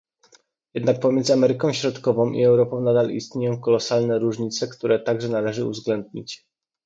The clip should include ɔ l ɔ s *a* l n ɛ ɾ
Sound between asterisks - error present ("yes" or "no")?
no